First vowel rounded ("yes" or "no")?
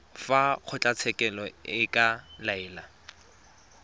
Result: no